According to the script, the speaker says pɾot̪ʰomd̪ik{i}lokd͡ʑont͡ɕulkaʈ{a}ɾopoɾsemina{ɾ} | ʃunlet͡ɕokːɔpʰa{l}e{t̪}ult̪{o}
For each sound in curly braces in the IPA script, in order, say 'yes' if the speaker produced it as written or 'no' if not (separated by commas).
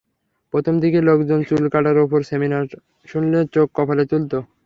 no, yes, yes, yes, yes, yes